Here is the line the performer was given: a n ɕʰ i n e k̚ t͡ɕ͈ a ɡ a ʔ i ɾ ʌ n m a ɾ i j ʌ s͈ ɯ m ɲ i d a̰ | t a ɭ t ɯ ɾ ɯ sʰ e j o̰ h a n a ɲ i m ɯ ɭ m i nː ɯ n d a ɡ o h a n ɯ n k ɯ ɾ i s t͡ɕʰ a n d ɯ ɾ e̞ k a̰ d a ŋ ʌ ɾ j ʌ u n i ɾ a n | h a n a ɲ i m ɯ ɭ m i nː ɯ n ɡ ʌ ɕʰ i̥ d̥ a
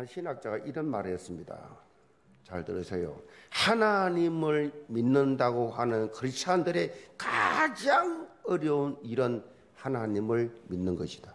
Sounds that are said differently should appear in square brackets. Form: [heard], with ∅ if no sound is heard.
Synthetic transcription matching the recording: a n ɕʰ i n [a] k̚ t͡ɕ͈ a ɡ a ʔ i ɾ ʌ n m a ɾ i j ʌ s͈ ɯ m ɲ i d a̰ | [t͡ɕ] a ɭ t ɯ ɾ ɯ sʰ e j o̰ h a n a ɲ i m ɯ ɭ m i nː ɯ n d a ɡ o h a n ɯ n k ɯ ɾ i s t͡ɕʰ a n d ɯ ɾ e̞ k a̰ [d͡ʑ] a ŋ ʌ ɾ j ʌ u n i ɾ [ʌ] n | h a n a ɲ i m ɯ ɭ m i nː ɯ n ɡ ʌ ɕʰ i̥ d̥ a